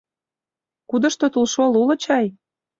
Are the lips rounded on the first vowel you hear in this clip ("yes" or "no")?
yes